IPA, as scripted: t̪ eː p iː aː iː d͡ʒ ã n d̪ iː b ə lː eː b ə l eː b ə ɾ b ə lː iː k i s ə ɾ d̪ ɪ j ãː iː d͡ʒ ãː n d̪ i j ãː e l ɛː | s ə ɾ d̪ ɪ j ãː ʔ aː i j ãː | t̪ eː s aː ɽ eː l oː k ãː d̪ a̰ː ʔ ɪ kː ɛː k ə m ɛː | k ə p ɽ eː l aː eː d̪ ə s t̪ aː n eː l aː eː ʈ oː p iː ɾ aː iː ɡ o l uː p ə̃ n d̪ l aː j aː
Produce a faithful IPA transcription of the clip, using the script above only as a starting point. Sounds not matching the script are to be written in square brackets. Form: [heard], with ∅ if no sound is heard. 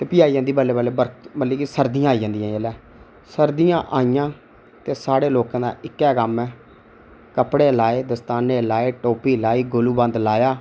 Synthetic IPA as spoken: t̪ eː p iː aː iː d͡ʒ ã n d̪ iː b ə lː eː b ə l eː b ə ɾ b ə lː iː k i s ə ɾ d̪ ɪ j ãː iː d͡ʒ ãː n d̪ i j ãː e l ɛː | s ə ɾ d̪ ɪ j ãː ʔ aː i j ãː | t̪ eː s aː ɽ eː l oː k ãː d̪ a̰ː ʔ ɪ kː ɛː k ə m ɛː | k ə p ɽ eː l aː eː d̪ ə s t̪ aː n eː l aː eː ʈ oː p iː [l] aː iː ɡ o l uː [b] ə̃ n d̪ l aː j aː